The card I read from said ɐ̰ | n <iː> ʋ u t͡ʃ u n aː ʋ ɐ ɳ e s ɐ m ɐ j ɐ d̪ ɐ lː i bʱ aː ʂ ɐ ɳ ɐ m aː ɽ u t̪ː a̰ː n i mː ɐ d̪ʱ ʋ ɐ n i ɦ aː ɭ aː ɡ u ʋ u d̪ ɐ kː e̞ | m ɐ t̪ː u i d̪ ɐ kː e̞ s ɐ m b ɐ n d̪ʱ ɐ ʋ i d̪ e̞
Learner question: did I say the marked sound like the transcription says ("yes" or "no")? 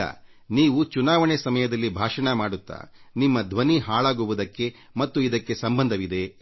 yes